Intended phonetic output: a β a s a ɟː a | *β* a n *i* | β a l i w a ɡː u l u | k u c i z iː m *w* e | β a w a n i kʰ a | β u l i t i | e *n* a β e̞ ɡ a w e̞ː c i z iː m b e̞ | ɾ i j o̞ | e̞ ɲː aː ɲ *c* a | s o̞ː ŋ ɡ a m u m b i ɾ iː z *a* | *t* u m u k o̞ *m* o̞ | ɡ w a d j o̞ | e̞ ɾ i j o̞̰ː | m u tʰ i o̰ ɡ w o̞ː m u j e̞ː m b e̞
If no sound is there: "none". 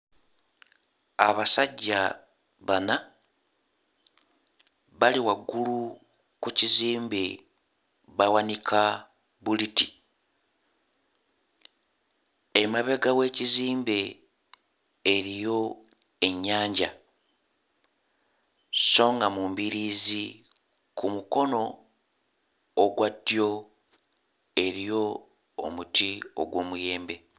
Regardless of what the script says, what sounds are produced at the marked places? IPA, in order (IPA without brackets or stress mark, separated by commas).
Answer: β, a, b, m, ɟ, i, k, n